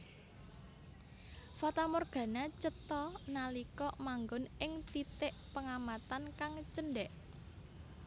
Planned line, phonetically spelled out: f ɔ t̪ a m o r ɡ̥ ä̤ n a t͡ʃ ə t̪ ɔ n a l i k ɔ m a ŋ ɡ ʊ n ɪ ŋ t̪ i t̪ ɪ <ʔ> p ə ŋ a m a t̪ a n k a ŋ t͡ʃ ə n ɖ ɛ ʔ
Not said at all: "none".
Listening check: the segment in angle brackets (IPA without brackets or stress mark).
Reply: ʔ